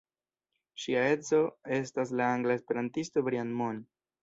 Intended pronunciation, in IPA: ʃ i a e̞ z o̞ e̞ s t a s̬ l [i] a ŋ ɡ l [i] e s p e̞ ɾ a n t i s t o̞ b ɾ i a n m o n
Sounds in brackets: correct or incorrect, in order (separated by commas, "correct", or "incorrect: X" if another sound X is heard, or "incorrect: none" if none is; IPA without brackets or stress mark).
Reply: incorrect: a, incorrect: a